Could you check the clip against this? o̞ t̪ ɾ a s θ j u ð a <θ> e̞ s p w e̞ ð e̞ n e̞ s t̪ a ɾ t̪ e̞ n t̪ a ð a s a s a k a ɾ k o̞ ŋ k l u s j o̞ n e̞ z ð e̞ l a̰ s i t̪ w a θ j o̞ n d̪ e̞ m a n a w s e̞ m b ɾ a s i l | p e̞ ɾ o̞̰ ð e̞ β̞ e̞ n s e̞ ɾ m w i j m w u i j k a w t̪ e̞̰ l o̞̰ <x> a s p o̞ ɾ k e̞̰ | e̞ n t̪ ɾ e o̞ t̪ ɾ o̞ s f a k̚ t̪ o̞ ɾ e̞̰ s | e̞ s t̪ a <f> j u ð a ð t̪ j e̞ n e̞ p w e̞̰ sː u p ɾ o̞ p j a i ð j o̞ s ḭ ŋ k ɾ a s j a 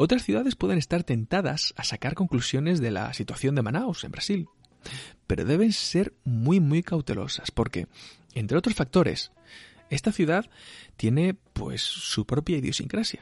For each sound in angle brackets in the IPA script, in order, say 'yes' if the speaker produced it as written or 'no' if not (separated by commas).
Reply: no, no, no